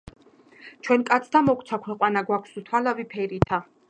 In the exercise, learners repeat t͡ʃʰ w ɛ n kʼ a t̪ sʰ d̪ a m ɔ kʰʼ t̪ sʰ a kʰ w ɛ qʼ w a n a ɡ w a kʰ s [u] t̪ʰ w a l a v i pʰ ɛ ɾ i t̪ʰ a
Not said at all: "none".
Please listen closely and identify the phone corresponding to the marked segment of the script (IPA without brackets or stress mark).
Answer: u